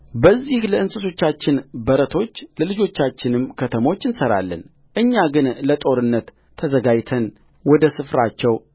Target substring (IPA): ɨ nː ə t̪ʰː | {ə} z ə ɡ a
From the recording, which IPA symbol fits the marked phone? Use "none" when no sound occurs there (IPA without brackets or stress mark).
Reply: ə